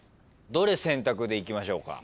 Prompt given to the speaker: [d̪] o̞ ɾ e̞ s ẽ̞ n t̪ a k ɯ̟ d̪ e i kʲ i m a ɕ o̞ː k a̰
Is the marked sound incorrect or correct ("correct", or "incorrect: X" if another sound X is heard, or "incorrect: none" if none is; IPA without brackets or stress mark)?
correct